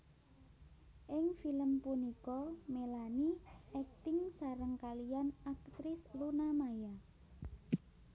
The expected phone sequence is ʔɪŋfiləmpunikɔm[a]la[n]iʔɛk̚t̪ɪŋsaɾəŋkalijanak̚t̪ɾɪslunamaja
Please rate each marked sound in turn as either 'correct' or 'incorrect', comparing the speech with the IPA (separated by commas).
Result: incorrect, correct